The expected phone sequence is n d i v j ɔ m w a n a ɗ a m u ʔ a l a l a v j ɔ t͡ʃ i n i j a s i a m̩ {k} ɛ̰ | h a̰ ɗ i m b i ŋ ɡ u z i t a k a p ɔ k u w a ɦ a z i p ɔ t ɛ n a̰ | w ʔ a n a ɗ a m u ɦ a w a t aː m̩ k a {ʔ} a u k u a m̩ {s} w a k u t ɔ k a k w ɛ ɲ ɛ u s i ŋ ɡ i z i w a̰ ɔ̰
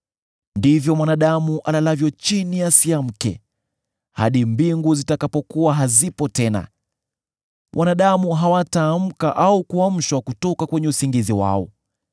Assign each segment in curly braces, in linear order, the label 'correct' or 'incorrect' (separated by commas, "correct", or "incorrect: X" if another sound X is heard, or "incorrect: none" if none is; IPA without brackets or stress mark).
correct, correct, incorrect: ʃ